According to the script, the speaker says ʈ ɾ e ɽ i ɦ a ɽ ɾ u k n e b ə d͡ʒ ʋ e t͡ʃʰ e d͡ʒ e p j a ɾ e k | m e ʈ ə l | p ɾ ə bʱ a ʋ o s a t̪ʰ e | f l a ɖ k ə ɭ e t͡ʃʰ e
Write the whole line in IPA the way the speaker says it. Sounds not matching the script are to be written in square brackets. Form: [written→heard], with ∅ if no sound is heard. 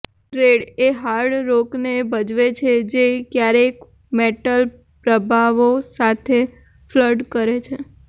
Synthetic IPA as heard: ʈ ɾ e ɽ [i→e] ɦ a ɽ ɾ [u→o] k n e b ə d͡ʒ ʋ e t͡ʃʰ e d͡ʒ e [p→k] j a ɾ e k | m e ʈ ə l | p ɾ ə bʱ a ʋ o s a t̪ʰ e | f l [a→ə] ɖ k ə [ɭ→ɾ] e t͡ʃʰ e